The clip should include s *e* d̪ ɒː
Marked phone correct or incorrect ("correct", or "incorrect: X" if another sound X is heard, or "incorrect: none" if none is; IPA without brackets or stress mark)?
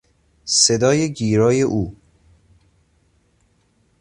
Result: correct